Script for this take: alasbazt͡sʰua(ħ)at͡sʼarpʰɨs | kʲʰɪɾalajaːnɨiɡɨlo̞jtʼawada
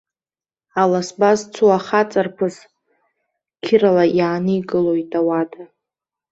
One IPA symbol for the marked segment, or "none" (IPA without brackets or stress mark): χ